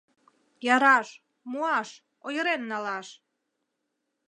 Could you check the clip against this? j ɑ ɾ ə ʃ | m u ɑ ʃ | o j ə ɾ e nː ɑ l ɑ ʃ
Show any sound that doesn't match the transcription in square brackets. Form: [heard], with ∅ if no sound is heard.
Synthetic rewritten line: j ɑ ɾ [ɑ] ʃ | m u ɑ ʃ | o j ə ɾ e nː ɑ l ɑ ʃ